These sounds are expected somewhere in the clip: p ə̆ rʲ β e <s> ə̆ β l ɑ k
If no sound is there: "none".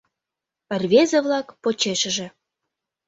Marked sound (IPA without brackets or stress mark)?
z